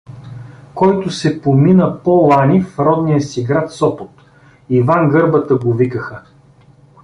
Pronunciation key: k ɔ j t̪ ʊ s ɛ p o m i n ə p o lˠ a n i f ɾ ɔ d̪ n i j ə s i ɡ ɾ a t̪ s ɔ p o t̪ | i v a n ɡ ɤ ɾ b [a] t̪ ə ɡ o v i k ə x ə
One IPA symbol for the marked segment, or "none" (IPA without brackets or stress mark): ə